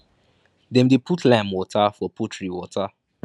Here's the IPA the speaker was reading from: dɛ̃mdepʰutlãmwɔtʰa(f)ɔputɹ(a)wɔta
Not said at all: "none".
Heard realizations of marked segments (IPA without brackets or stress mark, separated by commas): f, i